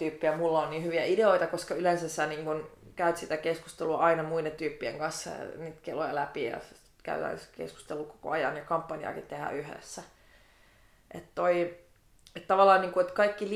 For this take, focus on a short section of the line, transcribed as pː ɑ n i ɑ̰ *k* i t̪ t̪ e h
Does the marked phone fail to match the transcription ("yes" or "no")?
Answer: no